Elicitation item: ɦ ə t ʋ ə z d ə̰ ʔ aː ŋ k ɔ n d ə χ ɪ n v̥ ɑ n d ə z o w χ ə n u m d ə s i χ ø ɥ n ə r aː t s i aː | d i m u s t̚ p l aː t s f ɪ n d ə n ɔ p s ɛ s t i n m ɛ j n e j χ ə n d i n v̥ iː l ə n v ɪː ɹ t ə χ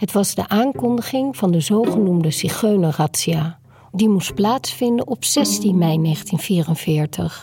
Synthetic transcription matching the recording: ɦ ə t ʋ ɑ z d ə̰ ʔ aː ŋ k ɔ n d ə χ ɪ ŋ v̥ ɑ n d ə z o w χ ə n u m d ə s i χ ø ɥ n ə r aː t s i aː | d i m u s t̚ p l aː t s f ɪ n d ə n ɔ p s ɛ s t i n m ɛ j n e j χ ə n t i n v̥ iː r ə n v ɪː ɹ t ə χ